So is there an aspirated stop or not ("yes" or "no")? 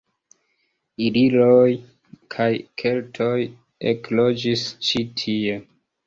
yes